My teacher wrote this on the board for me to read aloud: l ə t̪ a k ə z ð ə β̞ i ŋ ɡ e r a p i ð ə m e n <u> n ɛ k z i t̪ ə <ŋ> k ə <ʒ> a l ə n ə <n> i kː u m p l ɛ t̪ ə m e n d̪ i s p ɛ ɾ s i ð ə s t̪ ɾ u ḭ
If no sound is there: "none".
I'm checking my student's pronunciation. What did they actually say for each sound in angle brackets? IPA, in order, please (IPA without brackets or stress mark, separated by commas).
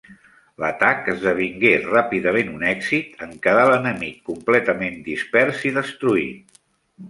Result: u, ŋ, ð, m